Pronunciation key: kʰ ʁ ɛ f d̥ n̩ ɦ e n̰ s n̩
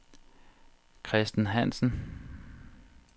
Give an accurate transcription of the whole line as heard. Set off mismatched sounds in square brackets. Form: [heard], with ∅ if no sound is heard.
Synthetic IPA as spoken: kʰ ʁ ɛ [s] d̥ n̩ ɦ [æ] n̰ s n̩